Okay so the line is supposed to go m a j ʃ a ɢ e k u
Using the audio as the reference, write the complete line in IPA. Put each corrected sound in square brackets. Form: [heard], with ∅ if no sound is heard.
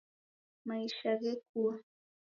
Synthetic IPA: m a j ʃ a ɢ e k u